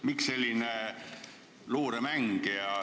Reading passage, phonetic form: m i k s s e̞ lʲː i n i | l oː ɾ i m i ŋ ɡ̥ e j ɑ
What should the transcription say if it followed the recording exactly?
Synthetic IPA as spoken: m i k s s e̞ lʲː i n e | l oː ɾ e m æ ŋ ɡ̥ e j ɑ